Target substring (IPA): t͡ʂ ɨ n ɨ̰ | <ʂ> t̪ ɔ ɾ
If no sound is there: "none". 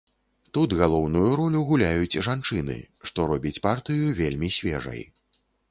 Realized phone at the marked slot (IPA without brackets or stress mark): ʂ